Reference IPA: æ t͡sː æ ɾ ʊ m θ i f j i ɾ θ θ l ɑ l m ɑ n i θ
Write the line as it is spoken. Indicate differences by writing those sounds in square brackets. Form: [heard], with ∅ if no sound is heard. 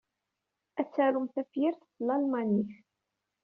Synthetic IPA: æ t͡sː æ ɾ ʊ m θ [æ] f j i ɾ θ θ l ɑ l m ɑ n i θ